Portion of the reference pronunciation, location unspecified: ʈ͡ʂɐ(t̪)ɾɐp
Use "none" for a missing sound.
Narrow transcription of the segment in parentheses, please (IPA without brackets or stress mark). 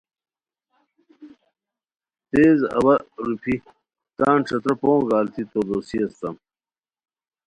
t̪